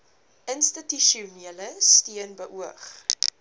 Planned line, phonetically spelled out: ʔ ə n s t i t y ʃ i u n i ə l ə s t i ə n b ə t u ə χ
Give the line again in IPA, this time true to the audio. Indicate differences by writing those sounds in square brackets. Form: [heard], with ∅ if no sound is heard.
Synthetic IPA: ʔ ə n s t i t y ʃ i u n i ə l ə s t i ə n b ə [ʔ] u ə χ

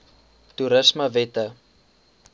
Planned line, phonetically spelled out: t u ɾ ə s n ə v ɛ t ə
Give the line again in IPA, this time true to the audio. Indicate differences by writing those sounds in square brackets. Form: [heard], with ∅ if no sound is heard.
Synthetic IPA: t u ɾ ə s [m] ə v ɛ t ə

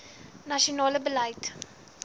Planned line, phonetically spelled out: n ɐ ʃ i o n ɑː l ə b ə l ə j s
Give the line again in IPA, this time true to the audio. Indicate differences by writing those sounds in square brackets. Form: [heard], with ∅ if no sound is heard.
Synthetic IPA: n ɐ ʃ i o n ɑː l ə b ə l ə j [t]

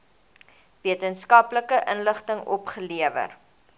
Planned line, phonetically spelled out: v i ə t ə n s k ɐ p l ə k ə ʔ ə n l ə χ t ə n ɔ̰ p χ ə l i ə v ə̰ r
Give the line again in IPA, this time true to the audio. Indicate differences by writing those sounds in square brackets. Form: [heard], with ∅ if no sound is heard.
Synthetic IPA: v i ə t ə n s k ɐ p l ə k ə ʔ ə n l ə χ t ə [ŋ] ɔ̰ p χ ə l i ə v ə̰ r

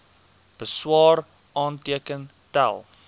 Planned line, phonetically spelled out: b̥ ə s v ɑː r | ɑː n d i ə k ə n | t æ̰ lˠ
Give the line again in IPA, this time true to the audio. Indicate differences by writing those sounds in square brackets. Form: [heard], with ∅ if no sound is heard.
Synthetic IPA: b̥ ə s [w] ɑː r | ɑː n [t] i ə k ə n | t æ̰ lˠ

